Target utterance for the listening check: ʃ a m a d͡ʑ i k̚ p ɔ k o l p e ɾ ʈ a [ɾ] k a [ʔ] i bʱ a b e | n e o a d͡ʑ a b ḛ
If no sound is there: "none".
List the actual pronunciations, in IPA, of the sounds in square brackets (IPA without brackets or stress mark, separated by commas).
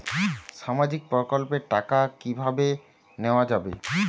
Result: none, k